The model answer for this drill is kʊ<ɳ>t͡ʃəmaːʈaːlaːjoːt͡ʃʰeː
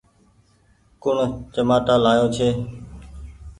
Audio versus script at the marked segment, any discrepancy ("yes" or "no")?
no